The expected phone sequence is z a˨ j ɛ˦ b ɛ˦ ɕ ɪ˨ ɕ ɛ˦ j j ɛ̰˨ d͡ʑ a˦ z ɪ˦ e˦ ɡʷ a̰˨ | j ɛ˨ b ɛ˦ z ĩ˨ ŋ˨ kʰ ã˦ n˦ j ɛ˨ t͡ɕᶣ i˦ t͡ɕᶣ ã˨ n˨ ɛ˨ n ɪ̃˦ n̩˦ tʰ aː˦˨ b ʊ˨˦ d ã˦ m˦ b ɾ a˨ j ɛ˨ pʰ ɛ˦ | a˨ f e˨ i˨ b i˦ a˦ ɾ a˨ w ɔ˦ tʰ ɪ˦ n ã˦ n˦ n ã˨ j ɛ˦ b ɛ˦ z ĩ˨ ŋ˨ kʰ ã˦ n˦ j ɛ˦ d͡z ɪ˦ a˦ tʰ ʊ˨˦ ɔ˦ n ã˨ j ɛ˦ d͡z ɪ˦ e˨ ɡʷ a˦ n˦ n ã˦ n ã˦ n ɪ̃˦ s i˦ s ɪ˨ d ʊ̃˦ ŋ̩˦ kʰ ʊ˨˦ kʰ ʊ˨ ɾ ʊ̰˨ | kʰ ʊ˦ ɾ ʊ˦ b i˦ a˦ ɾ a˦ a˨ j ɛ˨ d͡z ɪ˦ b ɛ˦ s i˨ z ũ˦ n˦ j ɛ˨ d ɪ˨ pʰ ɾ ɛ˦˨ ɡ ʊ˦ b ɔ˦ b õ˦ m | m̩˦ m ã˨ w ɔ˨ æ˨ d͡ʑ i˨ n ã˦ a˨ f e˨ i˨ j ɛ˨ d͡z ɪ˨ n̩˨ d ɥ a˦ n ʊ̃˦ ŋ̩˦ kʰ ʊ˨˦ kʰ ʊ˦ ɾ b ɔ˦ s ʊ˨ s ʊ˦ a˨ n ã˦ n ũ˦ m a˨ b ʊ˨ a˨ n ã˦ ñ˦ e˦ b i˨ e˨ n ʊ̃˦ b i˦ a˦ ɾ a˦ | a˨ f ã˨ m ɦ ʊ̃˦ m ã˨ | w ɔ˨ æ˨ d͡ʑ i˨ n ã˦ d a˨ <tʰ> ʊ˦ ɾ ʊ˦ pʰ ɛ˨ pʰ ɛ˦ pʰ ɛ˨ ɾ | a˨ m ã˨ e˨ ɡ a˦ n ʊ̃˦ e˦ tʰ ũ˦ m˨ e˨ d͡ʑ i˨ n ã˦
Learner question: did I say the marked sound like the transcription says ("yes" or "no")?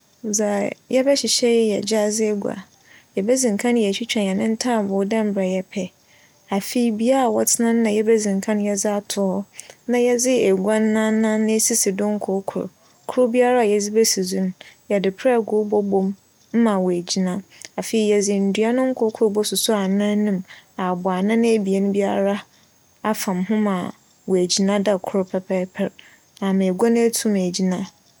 no